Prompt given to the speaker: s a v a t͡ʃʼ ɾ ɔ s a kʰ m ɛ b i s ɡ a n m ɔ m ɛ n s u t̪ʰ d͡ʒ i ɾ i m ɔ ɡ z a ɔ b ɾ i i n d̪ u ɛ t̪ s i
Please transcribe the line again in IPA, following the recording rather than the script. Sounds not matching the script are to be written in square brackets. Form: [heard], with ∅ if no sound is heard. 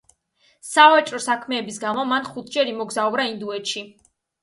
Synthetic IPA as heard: s a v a t͡ʃʼ ɾ ɔ s a kʰ m [ɛː] b i s ɡ a [∅] m ɔ m [a] n [χ] u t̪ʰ d͡ʒ [ɛ] ɾ i m ɔ ɡ z a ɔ b ɾ [a] i n d̪ u ɛ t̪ [ʃ] i